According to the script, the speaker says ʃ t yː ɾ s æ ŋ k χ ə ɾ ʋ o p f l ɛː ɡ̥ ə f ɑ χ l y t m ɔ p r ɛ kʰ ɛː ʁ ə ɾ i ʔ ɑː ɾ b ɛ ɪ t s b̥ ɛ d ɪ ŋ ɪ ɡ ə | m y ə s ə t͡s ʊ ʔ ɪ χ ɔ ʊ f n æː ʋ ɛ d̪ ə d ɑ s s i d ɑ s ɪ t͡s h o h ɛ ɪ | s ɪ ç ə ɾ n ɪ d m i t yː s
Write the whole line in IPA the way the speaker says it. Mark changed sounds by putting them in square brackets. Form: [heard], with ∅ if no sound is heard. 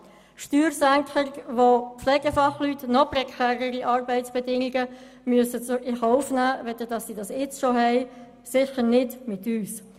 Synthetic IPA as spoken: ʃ t yː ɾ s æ ŋ k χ ə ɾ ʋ o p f l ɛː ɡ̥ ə f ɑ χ l y t [n] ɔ p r ɛ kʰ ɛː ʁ ə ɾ i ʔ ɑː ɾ b ɛ ɪ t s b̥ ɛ d ɪ ŋ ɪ ɡ ə | m y ə s ə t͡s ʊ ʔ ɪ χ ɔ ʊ f n æː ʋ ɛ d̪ ə d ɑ s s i d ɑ s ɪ t͡s [ʃ] o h ɛ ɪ | s ɪ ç ə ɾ n ɪ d m [ɪ] t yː s